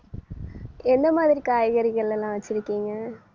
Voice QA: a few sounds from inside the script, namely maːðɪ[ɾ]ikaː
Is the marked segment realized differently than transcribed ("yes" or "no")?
no